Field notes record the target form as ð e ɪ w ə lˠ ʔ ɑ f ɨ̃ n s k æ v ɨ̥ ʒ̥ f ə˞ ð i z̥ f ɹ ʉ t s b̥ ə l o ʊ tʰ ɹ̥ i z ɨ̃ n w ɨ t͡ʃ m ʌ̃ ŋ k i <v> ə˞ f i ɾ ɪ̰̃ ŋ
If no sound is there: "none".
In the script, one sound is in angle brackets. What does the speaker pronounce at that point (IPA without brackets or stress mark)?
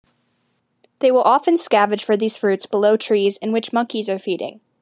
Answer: z